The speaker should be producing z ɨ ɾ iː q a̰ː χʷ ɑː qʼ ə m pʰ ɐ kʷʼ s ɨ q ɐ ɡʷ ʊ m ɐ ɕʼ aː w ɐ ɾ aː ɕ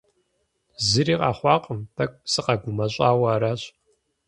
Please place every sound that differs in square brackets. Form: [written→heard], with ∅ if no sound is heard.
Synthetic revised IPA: z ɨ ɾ iː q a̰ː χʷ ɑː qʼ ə m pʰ ɐ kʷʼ s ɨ q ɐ ɡʷ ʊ m ɐ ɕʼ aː w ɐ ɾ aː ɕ